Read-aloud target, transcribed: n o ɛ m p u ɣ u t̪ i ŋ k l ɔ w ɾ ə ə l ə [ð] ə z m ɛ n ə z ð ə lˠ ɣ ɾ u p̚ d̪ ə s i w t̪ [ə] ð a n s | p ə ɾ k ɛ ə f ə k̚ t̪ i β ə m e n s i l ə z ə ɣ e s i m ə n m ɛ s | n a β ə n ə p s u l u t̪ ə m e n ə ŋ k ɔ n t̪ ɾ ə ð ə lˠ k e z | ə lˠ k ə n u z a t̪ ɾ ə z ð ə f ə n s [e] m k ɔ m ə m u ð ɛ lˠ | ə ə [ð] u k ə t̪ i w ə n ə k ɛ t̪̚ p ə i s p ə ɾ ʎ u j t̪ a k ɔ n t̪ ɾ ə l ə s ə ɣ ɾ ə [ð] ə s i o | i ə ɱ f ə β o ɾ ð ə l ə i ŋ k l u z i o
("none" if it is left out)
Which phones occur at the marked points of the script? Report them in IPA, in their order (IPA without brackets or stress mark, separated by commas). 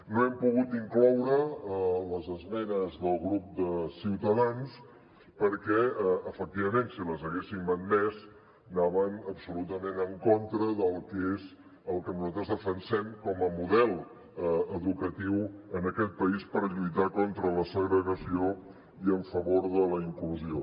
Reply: z, ə, ɛ, ð, ɣ